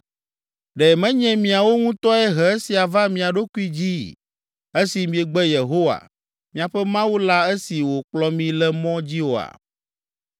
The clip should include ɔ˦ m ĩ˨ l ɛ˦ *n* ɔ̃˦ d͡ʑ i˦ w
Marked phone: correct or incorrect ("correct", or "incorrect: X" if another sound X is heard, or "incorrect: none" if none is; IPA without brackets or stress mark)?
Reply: incorrect: m